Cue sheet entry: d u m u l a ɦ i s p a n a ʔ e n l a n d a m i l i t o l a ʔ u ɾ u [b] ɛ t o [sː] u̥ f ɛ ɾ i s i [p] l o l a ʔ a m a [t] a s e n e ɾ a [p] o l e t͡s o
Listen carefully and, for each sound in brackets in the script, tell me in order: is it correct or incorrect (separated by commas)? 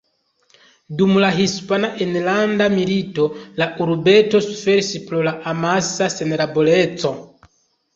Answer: correct, incorrect, correct, incorrect, incorrect